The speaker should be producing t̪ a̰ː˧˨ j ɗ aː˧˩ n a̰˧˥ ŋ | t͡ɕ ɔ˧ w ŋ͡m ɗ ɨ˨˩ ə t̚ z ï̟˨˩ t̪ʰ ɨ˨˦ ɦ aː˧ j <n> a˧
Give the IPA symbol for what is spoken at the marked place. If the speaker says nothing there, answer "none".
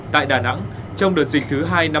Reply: n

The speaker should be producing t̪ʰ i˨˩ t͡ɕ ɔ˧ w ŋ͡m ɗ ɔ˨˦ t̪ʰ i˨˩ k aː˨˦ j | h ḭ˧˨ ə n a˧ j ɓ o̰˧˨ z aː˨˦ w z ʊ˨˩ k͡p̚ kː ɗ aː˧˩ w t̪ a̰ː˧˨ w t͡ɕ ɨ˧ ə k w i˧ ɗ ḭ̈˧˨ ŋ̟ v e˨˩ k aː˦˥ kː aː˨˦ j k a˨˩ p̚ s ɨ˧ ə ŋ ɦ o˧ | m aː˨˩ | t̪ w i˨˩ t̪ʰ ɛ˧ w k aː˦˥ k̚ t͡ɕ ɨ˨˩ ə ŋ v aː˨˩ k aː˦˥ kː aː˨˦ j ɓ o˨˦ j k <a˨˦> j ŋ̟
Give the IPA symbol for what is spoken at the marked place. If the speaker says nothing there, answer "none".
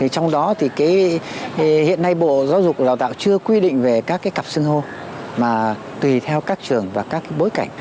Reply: a˧˩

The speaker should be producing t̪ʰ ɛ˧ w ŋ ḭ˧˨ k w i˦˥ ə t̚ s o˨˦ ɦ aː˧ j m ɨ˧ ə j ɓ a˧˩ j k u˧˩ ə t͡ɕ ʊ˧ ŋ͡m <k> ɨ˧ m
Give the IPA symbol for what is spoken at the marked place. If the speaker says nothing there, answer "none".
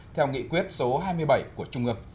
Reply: ʔ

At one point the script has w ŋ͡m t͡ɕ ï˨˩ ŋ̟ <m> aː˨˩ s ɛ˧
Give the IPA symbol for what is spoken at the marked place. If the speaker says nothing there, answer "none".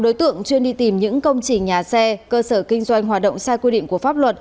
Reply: ɲ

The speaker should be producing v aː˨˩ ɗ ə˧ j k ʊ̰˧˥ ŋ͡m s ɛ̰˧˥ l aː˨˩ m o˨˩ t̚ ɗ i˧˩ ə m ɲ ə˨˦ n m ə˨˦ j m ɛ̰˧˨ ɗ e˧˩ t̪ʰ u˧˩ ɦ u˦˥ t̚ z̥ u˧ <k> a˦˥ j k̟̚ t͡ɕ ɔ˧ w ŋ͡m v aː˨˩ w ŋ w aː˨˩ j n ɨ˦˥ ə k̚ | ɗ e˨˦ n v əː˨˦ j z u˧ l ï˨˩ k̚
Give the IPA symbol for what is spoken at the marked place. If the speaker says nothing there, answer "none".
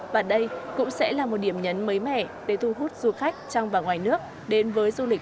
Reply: x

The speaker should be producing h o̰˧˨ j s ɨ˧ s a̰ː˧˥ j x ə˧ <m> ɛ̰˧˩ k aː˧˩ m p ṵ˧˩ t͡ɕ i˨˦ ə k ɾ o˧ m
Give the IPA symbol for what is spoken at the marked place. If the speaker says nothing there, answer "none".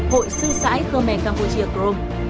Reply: m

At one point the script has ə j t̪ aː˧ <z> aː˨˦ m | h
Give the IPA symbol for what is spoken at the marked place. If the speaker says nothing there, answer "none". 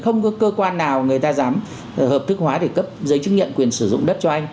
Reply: z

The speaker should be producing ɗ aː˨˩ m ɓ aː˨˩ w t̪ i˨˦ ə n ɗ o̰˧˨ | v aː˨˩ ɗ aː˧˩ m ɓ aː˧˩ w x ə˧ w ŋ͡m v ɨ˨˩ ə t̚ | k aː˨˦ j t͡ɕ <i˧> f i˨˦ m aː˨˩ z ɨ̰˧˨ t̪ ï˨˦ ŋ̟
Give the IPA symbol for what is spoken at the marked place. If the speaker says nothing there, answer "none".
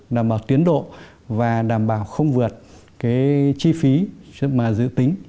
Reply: i˧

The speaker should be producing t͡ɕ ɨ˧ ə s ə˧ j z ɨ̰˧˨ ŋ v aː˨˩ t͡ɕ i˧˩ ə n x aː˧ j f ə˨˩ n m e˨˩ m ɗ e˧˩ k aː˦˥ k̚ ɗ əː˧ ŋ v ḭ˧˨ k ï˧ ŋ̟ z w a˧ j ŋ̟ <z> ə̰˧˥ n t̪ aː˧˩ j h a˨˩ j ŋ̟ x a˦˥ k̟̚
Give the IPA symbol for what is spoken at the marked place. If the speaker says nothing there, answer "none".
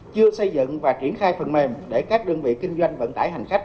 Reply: v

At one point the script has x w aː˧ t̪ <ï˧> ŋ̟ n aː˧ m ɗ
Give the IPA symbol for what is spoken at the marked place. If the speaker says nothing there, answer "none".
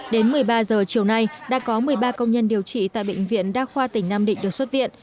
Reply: ï˧˩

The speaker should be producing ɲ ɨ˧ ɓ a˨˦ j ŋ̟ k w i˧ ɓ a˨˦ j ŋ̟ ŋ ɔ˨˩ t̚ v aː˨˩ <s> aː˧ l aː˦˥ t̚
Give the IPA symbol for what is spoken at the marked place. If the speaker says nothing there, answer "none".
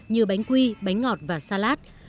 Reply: s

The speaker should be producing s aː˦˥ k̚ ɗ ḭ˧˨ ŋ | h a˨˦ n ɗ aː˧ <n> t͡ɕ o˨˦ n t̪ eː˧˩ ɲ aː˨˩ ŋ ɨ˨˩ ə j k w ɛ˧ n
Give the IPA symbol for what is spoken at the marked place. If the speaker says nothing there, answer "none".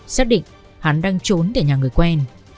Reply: ŋ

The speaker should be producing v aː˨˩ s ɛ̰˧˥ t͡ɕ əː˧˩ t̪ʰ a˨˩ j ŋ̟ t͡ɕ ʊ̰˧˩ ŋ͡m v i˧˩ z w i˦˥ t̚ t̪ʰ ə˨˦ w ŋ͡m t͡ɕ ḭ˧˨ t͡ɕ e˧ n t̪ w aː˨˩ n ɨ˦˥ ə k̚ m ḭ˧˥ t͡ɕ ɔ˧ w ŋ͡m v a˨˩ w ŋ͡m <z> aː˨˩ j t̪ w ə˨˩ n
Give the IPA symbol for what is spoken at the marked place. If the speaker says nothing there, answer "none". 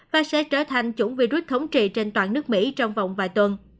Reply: v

